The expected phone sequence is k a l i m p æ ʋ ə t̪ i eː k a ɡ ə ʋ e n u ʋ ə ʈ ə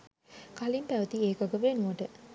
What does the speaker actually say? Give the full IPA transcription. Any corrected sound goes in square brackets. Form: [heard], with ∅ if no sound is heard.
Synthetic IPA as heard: k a l i m p æ ʋ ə t̪ i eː k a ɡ ə ʋ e n u ʋ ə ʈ ə

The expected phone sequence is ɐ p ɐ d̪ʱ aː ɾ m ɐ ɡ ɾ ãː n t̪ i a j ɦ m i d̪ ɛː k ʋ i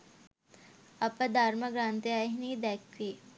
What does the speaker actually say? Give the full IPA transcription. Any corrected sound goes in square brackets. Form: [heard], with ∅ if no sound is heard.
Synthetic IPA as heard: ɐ p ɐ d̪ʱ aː ɾ m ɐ ɡ ɾ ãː n t̪ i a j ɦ [n] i d̪ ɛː k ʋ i

